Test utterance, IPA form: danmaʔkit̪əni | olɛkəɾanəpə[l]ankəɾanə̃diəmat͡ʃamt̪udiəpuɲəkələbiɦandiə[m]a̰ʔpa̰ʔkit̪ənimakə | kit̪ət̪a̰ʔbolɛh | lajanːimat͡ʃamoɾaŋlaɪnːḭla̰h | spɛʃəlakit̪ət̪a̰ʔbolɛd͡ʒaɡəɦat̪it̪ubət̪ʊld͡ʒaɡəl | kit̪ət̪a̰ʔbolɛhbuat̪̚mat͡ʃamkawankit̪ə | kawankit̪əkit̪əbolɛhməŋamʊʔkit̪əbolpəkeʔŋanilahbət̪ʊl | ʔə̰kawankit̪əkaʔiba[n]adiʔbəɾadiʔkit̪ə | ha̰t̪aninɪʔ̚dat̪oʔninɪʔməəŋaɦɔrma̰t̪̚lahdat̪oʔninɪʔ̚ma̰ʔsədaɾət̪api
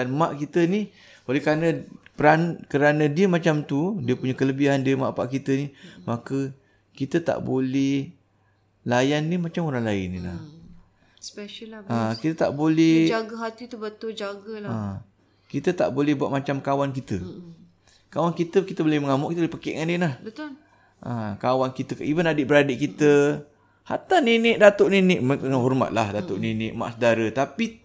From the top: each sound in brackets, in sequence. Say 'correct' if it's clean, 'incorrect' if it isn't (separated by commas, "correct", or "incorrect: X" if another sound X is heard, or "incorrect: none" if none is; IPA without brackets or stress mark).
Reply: incorrect: ɾ, correct, correct